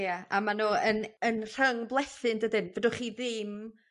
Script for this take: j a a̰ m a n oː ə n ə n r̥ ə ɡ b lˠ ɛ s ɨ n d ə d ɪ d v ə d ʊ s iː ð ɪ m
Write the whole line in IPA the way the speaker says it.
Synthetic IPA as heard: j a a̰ m a n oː ə n ə n r̥ ə ŋ b lˠ ɛ θ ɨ n d ə d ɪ n v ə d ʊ χ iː ð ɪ m